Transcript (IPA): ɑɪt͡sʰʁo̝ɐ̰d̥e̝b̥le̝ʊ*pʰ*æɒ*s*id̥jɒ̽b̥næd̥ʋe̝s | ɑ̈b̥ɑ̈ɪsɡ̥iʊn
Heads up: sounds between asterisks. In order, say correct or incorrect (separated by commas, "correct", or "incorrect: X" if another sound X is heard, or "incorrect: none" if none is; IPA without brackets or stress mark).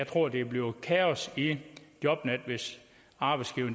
incorrect: kʰ, correct